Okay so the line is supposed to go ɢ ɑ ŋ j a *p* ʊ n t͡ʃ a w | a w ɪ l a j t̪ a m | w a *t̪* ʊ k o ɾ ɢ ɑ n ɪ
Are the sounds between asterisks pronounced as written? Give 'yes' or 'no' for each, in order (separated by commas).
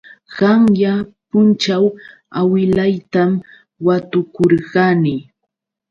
yes, yes